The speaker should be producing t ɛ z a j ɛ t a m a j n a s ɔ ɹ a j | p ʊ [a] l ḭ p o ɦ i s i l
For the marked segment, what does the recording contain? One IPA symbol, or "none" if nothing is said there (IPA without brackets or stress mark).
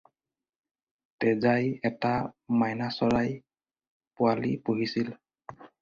a